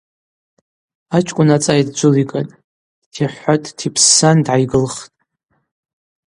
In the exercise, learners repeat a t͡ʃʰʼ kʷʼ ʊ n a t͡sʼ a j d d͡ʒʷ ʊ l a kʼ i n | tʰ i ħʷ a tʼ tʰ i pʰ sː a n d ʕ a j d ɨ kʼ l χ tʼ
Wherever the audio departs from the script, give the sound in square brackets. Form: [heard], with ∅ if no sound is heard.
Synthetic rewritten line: a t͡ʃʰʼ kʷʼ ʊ n a t͡sʼ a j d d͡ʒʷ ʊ l [i] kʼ [a] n | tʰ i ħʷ a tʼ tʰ i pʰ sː a n d ʕ a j [ɡ] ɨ [∅] l χ tʼ